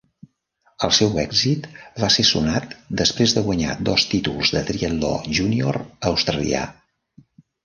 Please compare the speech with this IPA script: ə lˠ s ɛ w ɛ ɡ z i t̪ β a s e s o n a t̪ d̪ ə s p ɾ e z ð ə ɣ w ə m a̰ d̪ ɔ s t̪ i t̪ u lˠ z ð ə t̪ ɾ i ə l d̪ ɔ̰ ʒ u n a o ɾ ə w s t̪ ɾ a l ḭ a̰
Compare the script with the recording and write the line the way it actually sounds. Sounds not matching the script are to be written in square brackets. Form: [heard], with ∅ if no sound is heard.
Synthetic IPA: ə lˠ s ɛ w ɛ ɡ z i t̪ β a s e s [u] n a t̪ d̪ ə s p ɾ e z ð ə ɣ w ə [ɲ] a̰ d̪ ɔ s t̪ i t̪ u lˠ z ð ə t̪ ɾ i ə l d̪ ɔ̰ ʒ u n [i] o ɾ ə w s t̪ ɾ [ə] l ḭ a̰